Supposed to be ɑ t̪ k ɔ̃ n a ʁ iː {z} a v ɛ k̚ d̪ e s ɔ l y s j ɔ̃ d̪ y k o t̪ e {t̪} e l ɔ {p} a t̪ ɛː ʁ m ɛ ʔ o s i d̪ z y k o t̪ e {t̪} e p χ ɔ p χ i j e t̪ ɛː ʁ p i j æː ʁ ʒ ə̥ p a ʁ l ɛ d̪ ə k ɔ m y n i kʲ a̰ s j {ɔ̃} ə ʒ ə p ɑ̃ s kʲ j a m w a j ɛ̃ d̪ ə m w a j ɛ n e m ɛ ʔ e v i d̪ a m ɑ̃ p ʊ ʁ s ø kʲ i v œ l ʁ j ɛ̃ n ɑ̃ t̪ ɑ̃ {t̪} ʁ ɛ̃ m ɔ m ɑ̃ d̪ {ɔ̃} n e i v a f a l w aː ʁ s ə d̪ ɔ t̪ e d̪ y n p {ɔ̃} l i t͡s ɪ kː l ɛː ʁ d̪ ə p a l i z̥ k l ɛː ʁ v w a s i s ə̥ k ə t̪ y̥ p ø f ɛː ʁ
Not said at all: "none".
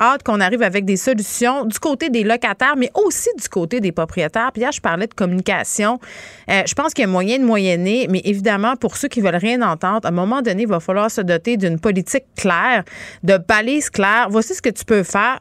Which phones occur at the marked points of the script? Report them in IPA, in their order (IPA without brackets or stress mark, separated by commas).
v, d̪, k, d̪, ɔ̃, d̪, ɔ, ɔ